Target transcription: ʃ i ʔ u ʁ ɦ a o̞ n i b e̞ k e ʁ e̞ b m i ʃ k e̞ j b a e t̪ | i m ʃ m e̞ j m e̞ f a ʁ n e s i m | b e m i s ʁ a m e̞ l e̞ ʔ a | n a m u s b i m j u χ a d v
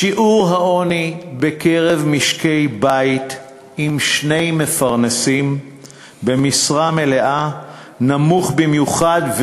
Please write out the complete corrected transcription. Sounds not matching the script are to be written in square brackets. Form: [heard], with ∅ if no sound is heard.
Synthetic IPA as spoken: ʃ i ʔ u ʁ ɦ a o̞ n i b e̞ k e ʁ e̞ [v] m i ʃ k e̞ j b a [i] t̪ | i m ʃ [n] e̞ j m e̞ f a ʁ n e s i m | b e m i s ʁ a m e̞ l e̞ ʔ a | n a m u [χ] b i m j u χ a d v